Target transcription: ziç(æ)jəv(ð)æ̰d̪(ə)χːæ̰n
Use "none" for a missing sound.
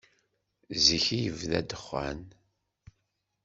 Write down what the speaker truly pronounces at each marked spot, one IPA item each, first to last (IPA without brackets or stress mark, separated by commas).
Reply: i, ð, ə